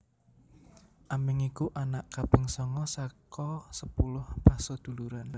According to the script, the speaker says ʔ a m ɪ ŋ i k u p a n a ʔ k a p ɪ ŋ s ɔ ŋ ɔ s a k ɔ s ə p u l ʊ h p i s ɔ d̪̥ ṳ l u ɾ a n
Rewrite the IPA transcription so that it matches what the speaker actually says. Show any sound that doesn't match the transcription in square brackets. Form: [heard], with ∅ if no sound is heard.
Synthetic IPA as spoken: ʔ a m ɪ ŋ i k u [ʔ] a n a ʔ k a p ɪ ŋ s ɔ ŋ ɔ s a k ɔ s ə p u l ʊ h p [a] s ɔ d̪̥ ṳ l u ɾ a n